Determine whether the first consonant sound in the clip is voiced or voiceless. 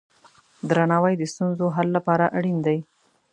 voiced